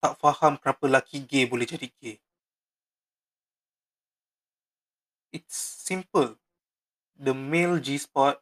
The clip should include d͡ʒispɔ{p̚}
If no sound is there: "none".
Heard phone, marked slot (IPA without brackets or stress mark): t̚